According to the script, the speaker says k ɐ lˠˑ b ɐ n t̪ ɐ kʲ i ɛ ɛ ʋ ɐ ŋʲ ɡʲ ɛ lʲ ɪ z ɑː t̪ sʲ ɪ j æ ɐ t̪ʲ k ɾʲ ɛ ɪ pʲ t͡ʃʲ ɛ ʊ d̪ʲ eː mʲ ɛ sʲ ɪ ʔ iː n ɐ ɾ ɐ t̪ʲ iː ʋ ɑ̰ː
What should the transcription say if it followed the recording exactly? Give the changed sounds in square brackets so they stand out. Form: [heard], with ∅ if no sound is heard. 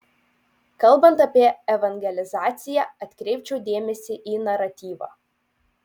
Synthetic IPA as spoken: k ɐ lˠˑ b ɐ n t̪ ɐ [pʲ] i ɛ ɛ ʋ ɐ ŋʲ ɡʲ ɛ lʲ ɪ z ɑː t̪ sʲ ɪ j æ ɐ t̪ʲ k ɾʲ ɛ ɪ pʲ t͡ʃʲ ɛ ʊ d̪ʲ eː mʲ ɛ sʲ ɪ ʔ iː n ɐ ɾ ɐ t̪ʲ iː ʋ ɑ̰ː